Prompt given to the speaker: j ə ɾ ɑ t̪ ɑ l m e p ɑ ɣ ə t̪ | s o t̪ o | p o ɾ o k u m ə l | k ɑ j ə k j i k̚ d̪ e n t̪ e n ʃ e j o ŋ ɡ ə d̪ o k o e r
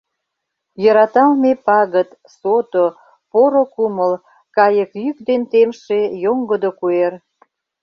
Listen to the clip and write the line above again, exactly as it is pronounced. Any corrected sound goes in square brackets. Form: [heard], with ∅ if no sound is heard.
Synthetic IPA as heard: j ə ɾ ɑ t̪ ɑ l m e p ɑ ɣ ə t̪ | s o t̪ o | p o ɾ o k u m ə l | k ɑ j ə k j [y] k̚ d̪ e n t̪ e [m] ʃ e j o ŋ ɡ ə d̪ o k [u] e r